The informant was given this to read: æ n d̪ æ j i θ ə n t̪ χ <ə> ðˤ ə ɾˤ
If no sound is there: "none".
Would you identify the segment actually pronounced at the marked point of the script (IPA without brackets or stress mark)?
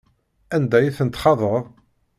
ɑ